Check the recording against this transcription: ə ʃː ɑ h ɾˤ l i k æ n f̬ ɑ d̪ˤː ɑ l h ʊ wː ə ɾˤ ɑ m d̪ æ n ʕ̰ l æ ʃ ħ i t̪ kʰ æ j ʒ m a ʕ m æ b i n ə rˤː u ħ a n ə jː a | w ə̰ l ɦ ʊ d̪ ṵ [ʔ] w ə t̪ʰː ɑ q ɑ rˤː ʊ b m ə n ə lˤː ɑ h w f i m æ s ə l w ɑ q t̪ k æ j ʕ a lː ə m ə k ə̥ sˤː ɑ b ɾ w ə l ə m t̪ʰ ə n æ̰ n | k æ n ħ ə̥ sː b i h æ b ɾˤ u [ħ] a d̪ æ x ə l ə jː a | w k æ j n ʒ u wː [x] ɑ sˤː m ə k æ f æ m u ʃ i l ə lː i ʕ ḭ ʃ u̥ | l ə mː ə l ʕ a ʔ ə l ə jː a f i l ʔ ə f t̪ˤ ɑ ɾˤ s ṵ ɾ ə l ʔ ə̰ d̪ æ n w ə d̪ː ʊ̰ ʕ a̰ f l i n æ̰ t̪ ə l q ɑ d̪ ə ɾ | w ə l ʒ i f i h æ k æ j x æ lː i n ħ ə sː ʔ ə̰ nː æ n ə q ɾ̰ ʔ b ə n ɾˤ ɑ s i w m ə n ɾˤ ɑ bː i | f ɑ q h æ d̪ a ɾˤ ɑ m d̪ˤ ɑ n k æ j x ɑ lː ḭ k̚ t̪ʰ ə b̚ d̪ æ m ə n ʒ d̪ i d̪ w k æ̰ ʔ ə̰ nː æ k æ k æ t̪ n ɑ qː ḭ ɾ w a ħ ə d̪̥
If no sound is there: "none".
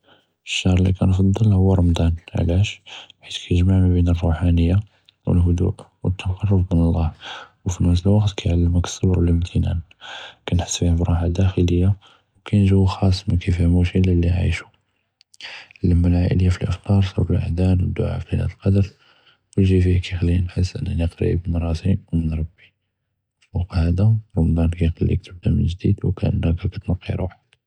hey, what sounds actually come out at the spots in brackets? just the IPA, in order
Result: ʔ, ħ, x

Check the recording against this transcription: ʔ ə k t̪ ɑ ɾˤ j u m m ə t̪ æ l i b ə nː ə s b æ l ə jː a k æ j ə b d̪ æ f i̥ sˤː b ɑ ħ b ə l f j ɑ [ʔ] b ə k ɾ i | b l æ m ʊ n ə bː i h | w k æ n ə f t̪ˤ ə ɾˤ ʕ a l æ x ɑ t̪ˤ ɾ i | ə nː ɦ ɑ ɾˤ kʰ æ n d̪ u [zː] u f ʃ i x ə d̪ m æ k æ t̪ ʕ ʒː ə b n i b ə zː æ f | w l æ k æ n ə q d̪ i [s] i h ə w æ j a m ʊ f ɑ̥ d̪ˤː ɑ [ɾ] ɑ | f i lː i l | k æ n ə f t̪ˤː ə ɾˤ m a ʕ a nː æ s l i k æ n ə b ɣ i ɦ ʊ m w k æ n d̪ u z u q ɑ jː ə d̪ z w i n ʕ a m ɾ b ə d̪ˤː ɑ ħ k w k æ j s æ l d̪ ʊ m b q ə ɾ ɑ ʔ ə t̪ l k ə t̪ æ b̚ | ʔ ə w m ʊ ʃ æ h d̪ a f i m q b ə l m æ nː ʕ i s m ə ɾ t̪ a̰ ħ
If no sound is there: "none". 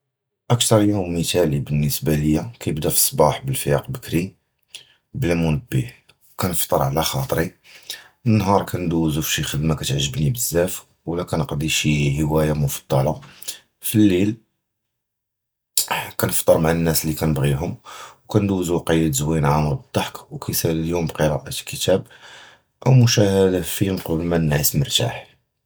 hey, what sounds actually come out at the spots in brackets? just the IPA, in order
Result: q, z, ʃ, l

